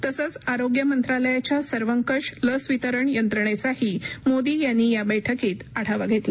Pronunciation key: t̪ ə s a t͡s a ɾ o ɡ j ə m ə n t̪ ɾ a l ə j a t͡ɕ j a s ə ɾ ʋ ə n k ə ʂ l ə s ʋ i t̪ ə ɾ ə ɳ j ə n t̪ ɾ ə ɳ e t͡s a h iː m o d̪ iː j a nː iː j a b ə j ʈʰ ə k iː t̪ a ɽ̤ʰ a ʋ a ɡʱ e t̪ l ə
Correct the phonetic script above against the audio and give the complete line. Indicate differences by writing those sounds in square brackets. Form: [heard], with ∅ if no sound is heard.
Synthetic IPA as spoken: t̪ ə s [ə] t͡s a ɾ o ɡ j ə m ə n t̪ ɾ a l ə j a t͡ɕ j a s ə ɾ ʋ ə [ŋ] k ə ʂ l ə s ʋ i t̪ ə ɾ ə ɳ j ə n t̪ ɾ ə ɳ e t͡s a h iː m o d̪ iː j a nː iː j a b ə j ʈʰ ə k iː t̪ a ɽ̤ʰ a ʋ a ɡʱ e t̪ l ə